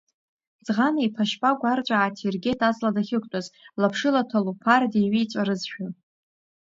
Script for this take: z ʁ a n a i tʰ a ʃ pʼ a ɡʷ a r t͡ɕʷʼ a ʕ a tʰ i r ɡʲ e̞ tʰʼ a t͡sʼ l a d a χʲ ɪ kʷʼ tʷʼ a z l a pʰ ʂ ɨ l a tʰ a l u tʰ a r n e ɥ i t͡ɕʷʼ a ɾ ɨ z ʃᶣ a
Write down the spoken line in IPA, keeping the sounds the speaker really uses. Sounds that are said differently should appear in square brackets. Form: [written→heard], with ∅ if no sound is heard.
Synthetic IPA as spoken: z ʁ a n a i [tʰ→pʰ] a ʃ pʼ a ɡʷ a r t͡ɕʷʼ a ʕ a tʰ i r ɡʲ e̞ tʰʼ a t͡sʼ l a d a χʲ ɪ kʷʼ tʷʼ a z l a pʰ ʂ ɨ l a tʰ a l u [tʰ→pʰ] a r [n→d] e ɥ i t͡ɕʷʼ a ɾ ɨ z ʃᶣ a